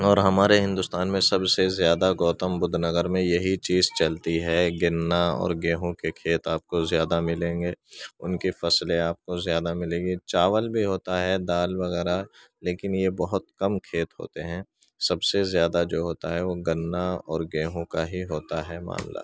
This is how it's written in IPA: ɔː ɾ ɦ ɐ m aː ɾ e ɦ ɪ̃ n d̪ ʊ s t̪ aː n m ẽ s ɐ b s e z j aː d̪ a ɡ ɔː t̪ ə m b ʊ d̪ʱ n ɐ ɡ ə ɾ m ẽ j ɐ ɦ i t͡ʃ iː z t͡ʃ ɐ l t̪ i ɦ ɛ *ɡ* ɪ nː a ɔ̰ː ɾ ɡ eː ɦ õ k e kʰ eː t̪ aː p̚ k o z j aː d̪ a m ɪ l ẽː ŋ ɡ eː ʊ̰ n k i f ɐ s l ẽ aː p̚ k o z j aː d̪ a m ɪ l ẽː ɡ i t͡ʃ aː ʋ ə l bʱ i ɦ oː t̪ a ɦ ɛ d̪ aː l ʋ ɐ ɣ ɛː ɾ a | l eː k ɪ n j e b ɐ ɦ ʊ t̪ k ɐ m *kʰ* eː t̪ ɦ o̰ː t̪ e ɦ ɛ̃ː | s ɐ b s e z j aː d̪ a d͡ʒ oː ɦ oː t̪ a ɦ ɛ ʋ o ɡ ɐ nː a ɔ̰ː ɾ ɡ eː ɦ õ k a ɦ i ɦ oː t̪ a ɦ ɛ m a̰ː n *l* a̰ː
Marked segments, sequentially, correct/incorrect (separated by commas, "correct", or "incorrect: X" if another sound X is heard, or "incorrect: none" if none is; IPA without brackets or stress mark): correct, correct, correct